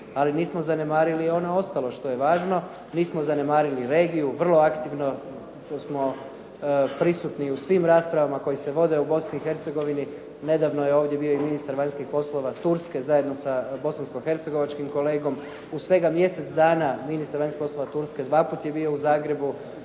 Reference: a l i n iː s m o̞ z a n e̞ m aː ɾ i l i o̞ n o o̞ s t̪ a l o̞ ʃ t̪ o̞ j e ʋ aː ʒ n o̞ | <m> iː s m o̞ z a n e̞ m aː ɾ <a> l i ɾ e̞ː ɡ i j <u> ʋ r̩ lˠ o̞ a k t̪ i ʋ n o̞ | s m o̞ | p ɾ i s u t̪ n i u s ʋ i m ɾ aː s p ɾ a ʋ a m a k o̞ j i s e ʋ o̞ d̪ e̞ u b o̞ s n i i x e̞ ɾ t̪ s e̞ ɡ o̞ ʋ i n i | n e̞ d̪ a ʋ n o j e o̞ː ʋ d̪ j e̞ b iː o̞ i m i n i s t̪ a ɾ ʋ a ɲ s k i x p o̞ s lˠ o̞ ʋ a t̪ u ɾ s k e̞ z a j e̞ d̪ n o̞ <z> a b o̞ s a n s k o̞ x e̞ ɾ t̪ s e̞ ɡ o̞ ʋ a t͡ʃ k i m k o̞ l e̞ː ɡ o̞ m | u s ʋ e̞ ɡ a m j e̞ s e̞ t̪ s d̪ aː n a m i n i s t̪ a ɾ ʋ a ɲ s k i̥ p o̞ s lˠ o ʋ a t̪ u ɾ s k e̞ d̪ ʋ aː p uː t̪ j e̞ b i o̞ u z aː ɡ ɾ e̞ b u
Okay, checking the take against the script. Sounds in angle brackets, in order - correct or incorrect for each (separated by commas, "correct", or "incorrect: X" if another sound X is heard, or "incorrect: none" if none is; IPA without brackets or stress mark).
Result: incorrect: n, incorrect: i, correct, incorrect: s